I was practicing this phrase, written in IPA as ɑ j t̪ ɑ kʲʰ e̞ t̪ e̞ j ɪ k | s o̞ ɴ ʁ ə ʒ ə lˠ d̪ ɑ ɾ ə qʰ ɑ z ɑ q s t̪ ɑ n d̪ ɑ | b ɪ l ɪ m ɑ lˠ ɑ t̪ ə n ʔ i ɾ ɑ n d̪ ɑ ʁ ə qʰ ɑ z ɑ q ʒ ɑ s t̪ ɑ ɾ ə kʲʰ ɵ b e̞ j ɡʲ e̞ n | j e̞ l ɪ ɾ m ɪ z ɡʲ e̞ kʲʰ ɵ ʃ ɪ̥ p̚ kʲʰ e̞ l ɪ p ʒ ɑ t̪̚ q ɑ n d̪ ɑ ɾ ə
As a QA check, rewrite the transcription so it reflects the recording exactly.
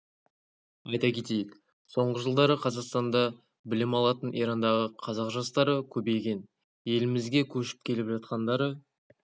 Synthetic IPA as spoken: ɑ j t̪ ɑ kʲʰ e̞ t̪ e̞ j ɪ k | s o̞ ɴ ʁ ə ʒ ə lˠ d̪ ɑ ɾ ə qʰ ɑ z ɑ q s t̪ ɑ n d̪ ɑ | b ɪ l ɪ m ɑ lˠ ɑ t̪ ə n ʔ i ɾ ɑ n d̪ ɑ ʁ ə qʰ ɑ z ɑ q ʒ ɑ s t̪ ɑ ɾ ə kʲʰ ɵ b e̞ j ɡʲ e̞ n | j e̞ l ɪ m ɪ z ɡʲ e̞ kʲʰ ɵ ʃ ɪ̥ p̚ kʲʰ e̞ l ɪ p ʒ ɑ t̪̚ q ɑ n d̪ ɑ ɾ ə